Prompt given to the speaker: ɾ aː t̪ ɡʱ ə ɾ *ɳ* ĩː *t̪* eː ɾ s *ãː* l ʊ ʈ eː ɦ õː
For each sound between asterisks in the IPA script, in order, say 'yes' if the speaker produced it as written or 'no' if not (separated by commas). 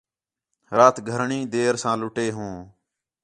yes, no, yes